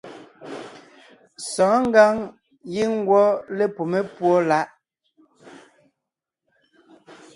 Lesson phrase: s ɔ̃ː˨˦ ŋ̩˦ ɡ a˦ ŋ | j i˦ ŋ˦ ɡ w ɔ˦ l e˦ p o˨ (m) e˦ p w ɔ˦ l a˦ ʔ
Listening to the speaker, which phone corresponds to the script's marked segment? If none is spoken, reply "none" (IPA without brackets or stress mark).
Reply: m